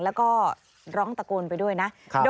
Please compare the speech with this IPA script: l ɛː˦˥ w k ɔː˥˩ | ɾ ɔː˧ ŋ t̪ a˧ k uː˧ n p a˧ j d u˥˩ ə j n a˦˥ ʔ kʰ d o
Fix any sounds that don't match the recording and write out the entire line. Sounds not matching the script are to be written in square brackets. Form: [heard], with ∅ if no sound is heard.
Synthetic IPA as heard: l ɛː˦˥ w k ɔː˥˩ | ɾ [ɔː˦˥] ŋ t̪ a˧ k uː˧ n p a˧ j d u˥˩ ə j n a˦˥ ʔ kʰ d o

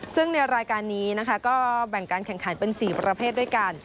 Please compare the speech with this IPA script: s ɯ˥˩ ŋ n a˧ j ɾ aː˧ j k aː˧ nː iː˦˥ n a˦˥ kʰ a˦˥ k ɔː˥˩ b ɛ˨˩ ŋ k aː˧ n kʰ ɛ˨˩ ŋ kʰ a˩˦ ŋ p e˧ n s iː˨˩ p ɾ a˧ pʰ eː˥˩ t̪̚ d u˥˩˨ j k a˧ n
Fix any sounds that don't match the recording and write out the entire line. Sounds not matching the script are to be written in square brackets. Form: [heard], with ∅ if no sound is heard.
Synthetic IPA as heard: s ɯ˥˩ ŋ n a˧ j ɾ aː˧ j k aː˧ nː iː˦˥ n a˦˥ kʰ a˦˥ k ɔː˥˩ b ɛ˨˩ ŋ k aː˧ n kʰ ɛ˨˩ ŋ kʰ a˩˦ [n] p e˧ n s iː˨˩ p ɾ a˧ pʰ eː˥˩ t̪̚ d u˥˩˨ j k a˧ n

